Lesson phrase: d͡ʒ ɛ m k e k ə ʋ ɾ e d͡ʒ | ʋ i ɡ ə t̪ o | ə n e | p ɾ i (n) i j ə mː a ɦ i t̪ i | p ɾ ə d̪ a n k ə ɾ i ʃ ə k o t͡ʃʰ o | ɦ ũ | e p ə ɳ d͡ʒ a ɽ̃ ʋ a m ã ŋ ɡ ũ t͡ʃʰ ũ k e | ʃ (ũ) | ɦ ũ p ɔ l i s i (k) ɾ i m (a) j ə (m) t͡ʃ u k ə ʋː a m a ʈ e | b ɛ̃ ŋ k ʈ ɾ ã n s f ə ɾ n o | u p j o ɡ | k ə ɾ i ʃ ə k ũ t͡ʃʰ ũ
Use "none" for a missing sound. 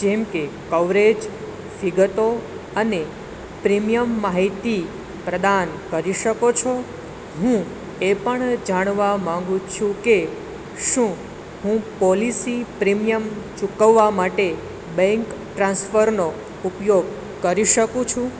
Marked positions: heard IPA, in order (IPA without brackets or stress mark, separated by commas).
m, ũ, p, i, m